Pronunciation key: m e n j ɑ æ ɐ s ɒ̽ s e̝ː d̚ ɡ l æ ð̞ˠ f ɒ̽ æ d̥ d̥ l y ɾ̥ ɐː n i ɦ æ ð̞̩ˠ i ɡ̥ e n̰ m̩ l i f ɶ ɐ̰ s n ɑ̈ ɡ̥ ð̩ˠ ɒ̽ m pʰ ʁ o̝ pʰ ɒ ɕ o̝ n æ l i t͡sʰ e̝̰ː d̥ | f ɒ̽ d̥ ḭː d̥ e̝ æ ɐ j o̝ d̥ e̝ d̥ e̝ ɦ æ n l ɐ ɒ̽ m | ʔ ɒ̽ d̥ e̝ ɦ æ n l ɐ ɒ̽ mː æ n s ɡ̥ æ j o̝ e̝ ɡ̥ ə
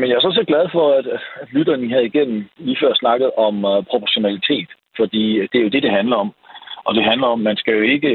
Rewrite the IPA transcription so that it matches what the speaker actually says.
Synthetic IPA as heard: m e n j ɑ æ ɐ s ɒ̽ s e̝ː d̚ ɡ l æ ð̞ˠ f ɒ̽ æ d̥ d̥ l y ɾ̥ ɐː n i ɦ æ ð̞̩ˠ i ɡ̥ e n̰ m̩ l iː f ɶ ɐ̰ s n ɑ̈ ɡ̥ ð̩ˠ ɒ̽ m pʰ ʁ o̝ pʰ ɒ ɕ o̝ n æ l i t͡sʰ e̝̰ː d̥ | f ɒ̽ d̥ ḭː d̥ e̝ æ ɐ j o̝ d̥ e̝ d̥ e̝ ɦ æ n l ɐ ɒ̽ m | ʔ ɒ̽ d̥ e̝ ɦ æ n l ɐ ɒ̽ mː æ n s ɡ̥ æ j o̝ e̝ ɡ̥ ə